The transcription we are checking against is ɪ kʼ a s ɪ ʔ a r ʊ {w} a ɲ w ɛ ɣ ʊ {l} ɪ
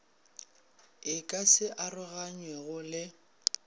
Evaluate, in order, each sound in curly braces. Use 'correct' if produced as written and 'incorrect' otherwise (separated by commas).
incorrect, correct